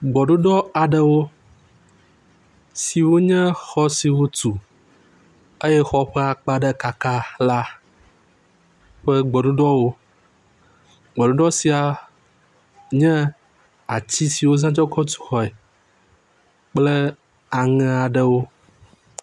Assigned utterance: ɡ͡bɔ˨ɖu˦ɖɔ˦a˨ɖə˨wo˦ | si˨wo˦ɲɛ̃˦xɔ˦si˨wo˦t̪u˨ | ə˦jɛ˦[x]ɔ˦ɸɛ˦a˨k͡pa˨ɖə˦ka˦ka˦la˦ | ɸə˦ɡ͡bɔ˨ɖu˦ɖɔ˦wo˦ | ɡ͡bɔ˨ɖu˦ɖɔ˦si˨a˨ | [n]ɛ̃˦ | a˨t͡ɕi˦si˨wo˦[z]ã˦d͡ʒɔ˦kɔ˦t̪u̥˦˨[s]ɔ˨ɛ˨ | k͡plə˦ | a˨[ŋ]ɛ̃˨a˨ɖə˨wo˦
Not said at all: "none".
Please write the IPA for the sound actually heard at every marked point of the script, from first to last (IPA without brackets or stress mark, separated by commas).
x, ɲ, z, x, ŋ